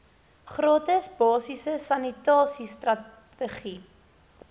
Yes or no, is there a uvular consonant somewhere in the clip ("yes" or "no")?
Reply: yes